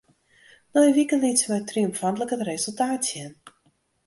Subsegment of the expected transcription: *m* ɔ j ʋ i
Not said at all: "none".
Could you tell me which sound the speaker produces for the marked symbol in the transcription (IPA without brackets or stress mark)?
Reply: n